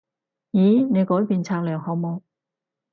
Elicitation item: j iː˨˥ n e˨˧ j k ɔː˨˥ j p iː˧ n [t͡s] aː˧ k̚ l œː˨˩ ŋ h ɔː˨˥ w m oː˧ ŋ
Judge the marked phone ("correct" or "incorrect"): incorrect